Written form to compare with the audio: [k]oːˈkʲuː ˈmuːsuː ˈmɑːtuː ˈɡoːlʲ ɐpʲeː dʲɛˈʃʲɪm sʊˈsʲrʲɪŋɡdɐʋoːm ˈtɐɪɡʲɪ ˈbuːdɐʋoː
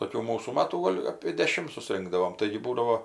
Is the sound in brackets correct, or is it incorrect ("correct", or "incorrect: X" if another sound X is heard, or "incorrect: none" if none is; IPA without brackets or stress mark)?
incorrect: t